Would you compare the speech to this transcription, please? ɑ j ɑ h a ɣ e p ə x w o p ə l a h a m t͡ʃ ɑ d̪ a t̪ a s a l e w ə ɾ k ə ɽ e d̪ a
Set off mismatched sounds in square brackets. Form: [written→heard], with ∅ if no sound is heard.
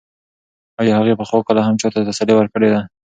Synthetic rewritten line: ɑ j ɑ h a ɣ e p ə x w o [p→k] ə l a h a m t͡ʃ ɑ [d̪→t̪] a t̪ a s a l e w ə ɾ k ə ɽ e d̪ a